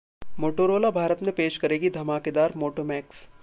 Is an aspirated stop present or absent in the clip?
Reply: absent